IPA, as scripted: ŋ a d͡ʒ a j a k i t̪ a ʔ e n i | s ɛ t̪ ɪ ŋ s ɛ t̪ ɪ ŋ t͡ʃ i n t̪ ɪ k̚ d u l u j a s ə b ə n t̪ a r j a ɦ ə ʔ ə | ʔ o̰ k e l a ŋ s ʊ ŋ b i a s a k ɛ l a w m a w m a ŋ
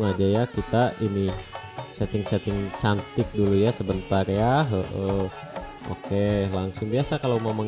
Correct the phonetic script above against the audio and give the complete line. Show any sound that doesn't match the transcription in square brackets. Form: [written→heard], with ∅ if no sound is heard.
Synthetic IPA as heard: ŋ a d͡ʒ a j a k i t̪ a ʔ [e→i] n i | s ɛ t̪ ɪ ŋ s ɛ t̪ ɪ ŋ t͡ʃ [i→a] n t̪ ɪ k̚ d u l u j a s ə b ə n t̪ a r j a ɦ ə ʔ ə | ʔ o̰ k e l a ŋ s ʊ ŋ b i a s a k [ɛ→a] l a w m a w m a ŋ